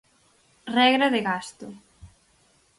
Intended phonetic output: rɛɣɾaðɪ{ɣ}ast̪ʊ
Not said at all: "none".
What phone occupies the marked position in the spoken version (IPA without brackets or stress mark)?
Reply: ɣ